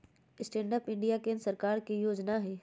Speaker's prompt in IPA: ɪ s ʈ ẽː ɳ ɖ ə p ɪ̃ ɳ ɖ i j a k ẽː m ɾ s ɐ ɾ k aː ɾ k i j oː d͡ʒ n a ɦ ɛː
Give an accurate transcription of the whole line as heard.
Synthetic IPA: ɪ s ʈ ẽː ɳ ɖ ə p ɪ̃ ɳ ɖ i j a k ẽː n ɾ s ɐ ɾ k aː ɾ k i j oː d͡ʒ n a ɦ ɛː